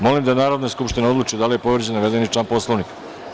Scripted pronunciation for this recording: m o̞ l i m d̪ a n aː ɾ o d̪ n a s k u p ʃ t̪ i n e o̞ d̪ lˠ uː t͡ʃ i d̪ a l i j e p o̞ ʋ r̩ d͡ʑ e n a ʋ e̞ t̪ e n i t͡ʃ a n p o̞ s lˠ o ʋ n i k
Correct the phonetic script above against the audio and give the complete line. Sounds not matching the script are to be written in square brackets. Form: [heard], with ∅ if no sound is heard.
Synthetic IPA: m o̞ l i m d̪ a n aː ɾ o d̪ n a s k u p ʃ t̪ i n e o̞ d̪ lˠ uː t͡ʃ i d̪ a l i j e p o̞ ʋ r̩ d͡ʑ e n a ʋ e̞ [d̪] e n i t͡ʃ a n p o̞ s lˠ o ʋ n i k